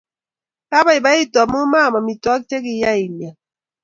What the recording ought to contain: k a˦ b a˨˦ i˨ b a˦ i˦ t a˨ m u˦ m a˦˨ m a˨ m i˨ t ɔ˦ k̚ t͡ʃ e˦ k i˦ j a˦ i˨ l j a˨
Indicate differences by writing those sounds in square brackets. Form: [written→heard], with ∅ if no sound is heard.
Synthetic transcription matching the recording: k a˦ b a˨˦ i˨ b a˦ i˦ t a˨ m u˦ m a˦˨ m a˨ m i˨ t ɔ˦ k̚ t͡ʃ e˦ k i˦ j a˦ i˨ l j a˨